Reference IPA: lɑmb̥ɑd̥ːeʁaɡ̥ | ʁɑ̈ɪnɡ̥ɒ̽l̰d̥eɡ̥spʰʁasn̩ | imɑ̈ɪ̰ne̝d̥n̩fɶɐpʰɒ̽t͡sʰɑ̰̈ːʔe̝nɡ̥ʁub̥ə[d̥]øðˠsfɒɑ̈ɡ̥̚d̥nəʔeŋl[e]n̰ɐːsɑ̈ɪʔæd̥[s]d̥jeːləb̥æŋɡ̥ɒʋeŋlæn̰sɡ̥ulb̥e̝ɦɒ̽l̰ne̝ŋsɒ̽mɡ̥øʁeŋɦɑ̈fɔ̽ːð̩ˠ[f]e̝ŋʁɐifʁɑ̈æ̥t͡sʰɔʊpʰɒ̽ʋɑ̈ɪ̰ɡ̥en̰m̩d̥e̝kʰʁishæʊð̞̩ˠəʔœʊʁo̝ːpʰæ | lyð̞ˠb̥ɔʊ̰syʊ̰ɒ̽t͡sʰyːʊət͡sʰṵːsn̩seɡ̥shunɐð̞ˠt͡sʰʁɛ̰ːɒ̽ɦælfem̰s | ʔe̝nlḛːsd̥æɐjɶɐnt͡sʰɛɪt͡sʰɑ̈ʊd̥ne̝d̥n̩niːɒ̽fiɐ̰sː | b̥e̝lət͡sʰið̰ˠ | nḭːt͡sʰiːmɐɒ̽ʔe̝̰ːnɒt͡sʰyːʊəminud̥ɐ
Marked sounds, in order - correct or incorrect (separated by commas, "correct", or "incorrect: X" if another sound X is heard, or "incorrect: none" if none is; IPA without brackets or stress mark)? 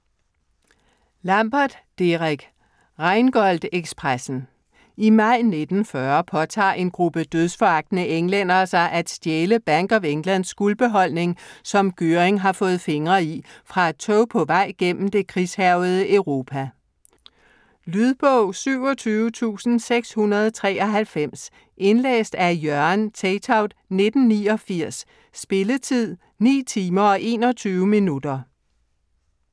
correct, correct, correct, correct